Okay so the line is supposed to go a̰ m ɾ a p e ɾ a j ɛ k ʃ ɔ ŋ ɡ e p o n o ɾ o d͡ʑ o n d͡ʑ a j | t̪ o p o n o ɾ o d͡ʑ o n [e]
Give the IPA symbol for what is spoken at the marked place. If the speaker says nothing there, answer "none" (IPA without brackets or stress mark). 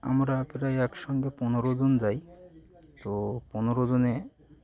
e